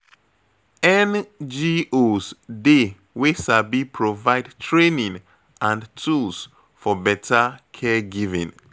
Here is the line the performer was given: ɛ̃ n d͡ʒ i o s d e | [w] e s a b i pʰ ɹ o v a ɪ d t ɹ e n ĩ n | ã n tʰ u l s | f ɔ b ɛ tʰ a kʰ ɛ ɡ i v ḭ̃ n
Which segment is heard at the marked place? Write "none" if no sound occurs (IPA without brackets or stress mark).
w